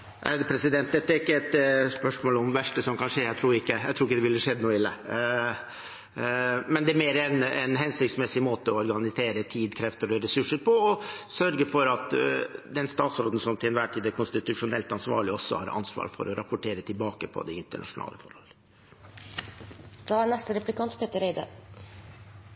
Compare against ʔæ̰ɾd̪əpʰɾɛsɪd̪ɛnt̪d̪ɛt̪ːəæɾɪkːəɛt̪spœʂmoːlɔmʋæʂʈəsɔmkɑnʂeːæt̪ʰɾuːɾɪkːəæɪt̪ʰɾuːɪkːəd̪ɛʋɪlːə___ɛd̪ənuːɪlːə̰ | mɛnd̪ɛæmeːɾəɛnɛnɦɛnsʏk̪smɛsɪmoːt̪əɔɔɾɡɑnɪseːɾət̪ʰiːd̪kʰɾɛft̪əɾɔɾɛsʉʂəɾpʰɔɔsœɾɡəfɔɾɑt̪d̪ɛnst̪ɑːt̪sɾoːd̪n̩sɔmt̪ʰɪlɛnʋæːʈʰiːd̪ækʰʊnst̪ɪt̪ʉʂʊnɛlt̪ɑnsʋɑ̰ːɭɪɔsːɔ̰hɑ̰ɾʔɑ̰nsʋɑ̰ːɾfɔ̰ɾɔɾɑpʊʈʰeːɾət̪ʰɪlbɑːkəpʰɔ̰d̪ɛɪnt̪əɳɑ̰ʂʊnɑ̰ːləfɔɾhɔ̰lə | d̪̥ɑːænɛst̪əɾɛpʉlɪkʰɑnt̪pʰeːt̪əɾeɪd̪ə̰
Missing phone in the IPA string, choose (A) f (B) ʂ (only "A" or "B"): B